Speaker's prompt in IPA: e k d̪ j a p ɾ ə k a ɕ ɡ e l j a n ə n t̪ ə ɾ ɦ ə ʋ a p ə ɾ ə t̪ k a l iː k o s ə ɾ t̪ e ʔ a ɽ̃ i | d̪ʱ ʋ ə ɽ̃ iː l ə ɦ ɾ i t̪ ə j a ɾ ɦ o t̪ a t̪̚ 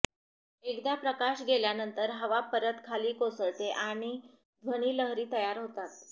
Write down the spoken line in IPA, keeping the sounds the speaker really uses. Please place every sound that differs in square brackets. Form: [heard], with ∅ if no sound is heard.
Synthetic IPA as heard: e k d̪ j a p ɾ ə k a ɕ ɡ e l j a n ə n t̪ ə ɾ ɦ ə ʋ a p ə ɾ ə t̪ [kʰ] a l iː k o s ə [ɭ] t̪ e ʔ a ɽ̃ i | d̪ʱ ʋ ə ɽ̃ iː l ə ɦ ɾ [iː] t̪ ə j a ɾ ɦ o t̪ a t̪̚